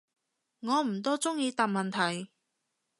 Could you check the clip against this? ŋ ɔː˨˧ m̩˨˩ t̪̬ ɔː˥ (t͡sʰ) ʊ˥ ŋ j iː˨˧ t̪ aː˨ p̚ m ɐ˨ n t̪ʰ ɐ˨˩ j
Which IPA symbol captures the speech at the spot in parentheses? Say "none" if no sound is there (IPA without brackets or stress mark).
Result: t͡s